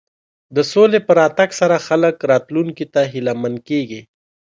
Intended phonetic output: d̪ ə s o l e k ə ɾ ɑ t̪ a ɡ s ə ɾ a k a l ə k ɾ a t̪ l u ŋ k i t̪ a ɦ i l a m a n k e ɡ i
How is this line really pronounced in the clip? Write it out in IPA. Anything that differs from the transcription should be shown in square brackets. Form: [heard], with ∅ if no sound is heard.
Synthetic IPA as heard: d̪ ə s o l e [p] ə ɾ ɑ t̪ a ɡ s [a] ɾ a [x] a l ə k ɾ [ɑ] t̪ l u ŋ k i t̪ a ɦ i l a m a n k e ɡ i